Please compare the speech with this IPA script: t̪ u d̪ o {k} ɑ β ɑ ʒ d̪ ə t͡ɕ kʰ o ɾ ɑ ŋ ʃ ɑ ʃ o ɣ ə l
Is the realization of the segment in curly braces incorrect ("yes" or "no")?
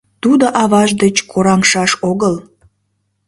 yes